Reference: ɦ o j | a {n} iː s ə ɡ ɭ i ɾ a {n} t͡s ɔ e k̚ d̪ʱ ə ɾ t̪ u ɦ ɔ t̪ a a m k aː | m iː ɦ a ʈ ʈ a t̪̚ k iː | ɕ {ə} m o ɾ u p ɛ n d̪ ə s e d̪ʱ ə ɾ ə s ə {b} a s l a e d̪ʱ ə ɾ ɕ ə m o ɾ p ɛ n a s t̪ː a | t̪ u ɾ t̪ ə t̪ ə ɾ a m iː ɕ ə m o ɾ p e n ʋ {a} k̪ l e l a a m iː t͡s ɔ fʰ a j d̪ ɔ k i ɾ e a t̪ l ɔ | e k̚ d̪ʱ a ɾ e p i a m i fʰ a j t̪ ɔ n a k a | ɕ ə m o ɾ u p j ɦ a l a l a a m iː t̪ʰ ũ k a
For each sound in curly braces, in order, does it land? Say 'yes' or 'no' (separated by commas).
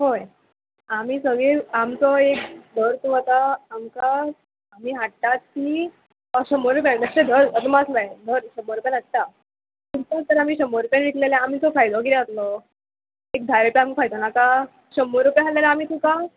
no, no, yes, no, no